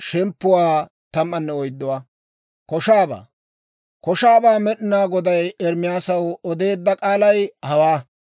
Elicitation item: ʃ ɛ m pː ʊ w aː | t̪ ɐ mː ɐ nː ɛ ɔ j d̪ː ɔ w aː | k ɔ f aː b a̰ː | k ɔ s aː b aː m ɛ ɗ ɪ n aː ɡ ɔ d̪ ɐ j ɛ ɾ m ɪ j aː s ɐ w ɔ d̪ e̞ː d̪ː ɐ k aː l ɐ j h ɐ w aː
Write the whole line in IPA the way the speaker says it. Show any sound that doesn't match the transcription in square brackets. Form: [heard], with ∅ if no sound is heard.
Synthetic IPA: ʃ ɛ m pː ʊ w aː | t̪ ɐ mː ɐ nː ɛ ɔ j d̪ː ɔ w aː | k ɔ [ʃ] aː b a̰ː | k ɔ [ʃ] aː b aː m ɛ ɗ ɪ n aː ɡ ɔ d̪ ɐ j ɛ ɾ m ɪ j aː s ɐ w ɔ d̪ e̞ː d̪ː ɐ [kʼ] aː l ɐ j h ɐ w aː